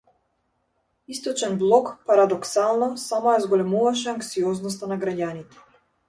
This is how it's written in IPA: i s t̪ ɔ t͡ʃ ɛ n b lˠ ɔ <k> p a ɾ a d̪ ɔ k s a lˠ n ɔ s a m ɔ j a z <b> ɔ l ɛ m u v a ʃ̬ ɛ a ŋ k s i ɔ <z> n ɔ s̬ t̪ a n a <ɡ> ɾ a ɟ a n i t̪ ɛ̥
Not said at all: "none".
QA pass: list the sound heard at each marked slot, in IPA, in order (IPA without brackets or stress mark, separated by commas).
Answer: k, ɡ, z, ɡ